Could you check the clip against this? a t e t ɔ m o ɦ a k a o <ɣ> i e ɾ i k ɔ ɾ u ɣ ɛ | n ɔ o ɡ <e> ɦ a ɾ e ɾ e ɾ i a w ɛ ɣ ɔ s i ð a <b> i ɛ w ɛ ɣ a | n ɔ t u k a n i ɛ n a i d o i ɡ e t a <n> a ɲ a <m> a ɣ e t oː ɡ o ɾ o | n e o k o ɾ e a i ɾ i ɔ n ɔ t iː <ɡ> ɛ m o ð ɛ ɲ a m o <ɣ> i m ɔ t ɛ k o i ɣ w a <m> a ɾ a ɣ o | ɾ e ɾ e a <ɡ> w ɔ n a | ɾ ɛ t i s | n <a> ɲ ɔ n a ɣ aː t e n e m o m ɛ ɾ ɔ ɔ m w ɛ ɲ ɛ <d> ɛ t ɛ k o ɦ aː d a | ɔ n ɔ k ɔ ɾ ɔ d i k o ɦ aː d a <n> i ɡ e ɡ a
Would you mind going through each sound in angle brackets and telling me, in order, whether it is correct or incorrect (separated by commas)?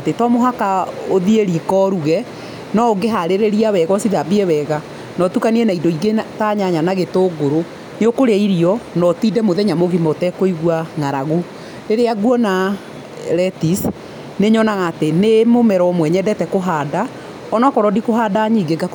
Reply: incorrect, correct, correct, incorrect, incorrect, incorrect, correct, incorrect, correct, incorrect, correct, incorrect